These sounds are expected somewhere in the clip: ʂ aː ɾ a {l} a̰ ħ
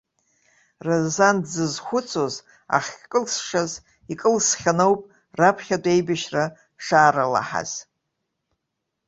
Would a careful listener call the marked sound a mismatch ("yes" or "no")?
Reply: no